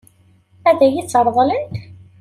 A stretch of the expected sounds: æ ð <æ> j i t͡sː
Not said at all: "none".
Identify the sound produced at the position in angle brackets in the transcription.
æ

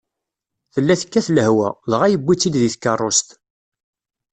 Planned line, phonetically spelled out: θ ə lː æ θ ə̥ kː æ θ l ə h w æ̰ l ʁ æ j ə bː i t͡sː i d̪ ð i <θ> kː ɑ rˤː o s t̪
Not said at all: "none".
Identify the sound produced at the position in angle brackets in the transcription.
θ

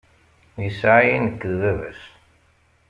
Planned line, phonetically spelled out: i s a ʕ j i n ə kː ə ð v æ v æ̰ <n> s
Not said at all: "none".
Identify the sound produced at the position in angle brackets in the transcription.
none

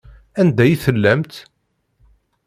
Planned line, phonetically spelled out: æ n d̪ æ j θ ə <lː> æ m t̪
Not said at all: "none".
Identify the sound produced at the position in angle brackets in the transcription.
lː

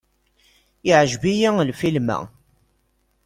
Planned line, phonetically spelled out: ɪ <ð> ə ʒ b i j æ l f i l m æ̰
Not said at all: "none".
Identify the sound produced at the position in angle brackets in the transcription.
ʕ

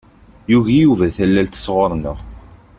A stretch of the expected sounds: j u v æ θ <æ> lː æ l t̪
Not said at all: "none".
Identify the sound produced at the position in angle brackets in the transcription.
æ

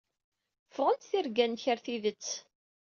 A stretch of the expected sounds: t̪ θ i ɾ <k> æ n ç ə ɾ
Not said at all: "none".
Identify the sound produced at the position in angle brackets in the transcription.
ɡ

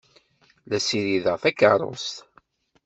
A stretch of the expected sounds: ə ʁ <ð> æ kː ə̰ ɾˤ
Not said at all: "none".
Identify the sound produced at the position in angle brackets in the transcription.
θ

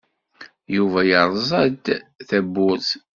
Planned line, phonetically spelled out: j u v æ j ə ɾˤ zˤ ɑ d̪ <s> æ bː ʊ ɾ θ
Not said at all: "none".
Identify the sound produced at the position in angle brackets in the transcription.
θ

